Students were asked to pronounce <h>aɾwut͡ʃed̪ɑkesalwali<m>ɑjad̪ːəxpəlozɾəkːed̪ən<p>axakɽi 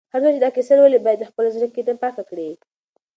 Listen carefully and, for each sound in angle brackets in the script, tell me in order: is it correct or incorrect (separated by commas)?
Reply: correct, incorrect, correct